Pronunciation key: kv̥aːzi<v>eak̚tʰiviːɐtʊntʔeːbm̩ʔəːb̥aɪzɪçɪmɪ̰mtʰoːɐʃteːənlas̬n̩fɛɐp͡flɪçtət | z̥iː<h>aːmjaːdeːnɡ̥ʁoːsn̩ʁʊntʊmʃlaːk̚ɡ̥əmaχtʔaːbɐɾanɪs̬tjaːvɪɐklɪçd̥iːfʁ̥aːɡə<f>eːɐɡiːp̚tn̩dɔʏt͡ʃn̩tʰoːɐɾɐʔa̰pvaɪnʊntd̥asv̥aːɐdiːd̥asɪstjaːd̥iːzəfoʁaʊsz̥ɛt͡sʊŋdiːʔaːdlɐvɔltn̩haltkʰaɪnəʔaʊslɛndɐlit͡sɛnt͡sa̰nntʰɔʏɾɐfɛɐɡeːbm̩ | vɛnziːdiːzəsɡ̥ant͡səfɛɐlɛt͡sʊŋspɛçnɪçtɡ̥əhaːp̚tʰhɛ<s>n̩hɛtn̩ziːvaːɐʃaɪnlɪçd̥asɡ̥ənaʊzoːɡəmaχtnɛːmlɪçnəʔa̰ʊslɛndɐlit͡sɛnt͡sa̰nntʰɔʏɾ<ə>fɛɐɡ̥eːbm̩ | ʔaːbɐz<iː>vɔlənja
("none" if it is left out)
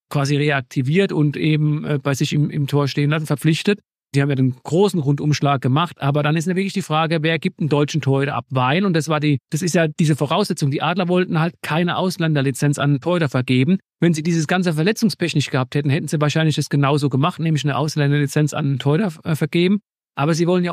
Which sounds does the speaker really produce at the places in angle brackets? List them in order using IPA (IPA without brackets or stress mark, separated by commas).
ʁ, h, v, t, ɐ, iː